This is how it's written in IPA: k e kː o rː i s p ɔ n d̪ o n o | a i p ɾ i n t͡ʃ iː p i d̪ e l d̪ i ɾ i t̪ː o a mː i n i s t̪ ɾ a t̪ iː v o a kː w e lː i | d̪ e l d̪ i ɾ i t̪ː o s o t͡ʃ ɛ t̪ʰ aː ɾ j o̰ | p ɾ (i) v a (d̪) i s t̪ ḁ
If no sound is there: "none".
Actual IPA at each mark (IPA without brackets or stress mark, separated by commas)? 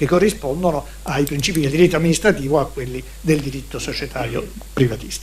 i, t̪